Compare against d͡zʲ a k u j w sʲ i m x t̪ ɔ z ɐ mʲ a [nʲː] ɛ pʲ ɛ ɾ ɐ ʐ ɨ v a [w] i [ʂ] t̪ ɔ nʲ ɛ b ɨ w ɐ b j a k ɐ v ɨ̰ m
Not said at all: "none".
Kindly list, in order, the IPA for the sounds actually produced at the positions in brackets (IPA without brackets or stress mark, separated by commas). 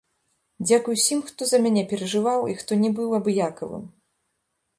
nʲ, w, x